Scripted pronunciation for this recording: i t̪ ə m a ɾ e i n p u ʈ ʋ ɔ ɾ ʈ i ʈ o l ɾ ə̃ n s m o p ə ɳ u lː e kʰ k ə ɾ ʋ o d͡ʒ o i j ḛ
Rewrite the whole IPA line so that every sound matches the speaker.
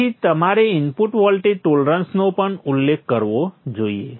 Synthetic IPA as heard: i t̪ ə m a ɾ e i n p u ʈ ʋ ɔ l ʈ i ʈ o l ɾ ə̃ n s n o p ə ɳ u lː e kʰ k ə ɾ ʋ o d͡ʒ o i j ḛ

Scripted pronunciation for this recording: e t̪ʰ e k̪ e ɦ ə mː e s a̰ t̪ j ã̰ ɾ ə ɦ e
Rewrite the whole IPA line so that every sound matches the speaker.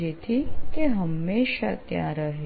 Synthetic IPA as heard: e t̪ʰ i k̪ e ɦ ə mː e ʃ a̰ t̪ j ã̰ ɾ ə ɦ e

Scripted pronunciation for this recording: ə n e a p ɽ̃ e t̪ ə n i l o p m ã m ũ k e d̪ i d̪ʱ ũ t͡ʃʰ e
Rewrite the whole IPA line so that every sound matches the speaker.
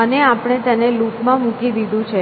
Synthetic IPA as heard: ə n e a p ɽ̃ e t̪ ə n e l u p m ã m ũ k i d̪ i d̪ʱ ũ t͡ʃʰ e

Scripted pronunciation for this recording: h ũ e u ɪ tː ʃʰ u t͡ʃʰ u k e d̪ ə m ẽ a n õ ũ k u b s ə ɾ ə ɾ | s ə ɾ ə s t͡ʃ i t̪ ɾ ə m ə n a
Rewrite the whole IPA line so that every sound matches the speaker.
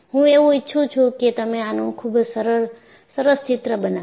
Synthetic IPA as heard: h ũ e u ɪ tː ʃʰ u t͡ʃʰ u k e t̪ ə m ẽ a n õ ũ kʰ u b s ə ɾ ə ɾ | s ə ɾ ə s t͡ʃ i t̪ ɾ ə b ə n a

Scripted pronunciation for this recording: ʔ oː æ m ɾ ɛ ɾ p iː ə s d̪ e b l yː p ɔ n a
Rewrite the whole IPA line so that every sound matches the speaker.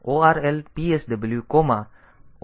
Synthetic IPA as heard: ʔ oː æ ɾ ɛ l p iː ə s d̪ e b l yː k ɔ m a

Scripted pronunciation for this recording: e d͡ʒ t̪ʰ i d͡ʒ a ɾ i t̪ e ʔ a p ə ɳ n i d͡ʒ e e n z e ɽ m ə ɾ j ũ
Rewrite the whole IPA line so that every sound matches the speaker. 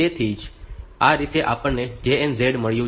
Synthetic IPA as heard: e t̪ʰ i d͡ʒ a ɾ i t̪ e ʔ a p ə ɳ n e d͡ʒ e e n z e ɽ m ə ɭ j ũ

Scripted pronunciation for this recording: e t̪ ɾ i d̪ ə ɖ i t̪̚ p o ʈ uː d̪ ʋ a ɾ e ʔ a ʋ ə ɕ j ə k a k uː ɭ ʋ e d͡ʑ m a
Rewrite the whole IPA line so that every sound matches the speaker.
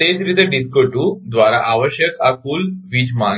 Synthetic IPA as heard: e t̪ ɾ i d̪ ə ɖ i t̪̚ k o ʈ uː d̪ ʋ a ɾ a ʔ a ʋ ə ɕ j ə k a k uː l ʋ i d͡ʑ m a

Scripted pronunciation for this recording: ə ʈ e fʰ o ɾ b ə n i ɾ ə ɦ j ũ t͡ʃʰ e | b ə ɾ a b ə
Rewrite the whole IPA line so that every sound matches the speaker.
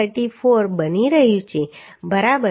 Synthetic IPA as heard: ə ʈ i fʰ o ɾ b ə n i ɾ ə ɦ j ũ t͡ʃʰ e | b ə ɾ a b ə

